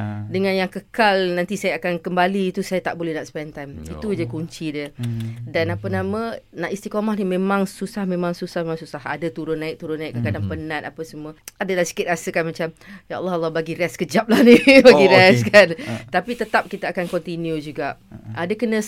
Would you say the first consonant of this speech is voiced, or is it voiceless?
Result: voiced